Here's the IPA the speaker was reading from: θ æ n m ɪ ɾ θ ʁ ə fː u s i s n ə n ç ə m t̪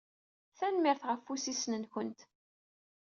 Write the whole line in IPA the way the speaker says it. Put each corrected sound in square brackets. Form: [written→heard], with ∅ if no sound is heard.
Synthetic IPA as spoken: θ æ n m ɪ ɾ θ ʁ ə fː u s i s n ə n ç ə [m→n] t̪